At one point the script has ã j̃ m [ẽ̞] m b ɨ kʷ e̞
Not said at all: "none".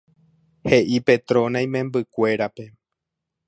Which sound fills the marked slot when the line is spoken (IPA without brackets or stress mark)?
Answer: ẽ̞